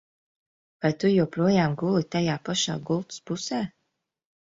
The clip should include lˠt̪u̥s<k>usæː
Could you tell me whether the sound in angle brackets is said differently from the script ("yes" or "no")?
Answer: yes